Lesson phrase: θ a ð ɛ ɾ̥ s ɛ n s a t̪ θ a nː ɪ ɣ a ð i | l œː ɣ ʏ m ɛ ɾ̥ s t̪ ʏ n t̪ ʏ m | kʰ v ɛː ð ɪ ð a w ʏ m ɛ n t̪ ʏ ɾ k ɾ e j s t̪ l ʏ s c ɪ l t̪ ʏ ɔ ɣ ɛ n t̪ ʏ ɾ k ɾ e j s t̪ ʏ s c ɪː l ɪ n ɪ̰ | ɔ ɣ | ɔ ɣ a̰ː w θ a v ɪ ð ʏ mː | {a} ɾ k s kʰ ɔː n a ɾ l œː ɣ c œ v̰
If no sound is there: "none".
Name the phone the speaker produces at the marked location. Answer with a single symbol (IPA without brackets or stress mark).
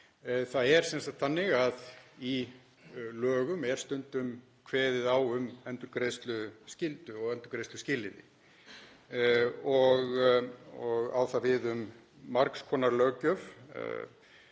a